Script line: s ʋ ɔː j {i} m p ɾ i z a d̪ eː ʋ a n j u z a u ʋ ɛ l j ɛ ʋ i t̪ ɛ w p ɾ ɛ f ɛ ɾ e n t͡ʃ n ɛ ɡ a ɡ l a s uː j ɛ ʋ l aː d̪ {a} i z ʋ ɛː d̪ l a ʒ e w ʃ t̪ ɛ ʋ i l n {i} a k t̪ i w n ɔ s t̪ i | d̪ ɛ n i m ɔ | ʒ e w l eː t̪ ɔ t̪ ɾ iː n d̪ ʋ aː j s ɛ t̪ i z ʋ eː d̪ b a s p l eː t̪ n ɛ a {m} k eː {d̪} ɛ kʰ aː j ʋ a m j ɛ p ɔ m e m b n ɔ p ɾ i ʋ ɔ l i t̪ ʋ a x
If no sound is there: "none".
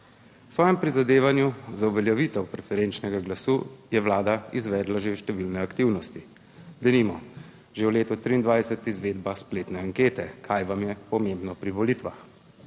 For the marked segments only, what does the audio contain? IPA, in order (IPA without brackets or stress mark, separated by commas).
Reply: ɛ, a, ɛ, ŋ, t̪